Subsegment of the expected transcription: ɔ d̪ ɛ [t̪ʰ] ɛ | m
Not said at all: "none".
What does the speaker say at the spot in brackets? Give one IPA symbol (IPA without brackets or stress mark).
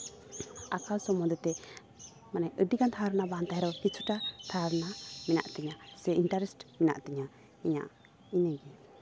t̪